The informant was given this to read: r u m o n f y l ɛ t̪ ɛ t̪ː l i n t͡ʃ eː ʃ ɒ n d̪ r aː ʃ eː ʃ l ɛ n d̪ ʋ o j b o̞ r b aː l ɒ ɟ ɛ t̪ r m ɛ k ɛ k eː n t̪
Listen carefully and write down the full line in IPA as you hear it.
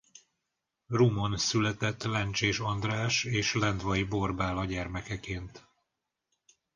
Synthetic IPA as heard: r u m o n s y l ɛ t̪ ɛ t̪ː l ɛ n t͡ʃ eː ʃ ɒ n d̪ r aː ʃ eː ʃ l ɛ n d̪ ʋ ɒ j b o̞ r b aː l ɒ ɟ ɛ r m ɛ k ɛ k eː n t̪